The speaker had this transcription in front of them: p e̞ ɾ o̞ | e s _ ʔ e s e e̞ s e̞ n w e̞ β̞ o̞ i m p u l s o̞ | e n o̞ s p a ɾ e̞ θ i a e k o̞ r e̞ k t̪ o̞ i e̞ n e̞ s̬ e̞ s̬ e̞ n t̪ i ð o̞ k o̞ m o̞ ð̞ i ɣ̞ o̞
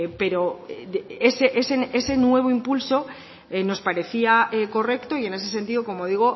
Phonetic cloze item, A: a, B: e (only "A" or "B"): B